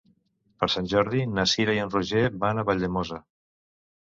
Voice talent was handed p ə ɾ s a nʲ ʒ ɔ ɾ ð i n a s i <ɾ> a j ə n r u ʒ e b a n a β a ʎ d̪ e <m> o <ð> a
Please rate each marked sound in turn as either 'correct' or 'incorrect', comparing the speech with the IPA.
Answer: correct, correct, incorrect

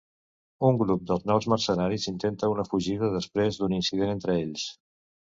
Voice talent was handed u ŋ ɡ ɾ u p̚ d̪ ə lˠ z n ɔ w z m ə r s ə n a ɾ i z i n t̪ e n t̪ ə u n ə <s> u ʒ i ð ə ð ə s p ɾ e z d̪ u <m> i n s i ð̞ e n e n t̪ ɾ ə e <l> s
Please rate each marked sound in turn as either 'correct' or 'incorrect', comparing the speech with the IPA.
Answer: incorrect, incorrect, incorrect

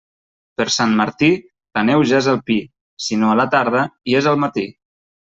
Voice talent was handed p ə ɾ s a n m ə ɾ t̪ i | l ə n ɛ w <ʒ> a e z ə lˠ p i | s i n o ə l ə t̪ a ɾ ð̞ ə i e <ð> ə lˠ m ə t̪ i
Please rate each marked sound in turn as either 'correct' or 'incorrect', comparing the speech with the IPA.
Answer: correct, incorrect

